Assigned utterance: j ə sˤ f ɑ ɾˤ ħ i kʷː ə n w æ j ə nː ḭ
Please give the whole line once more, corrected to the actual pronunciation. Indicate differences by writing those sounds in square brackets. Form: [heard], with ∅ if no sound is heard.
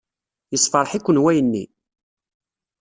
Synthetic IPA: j ə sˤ f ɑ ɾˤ ħ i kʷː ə n w æ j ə nː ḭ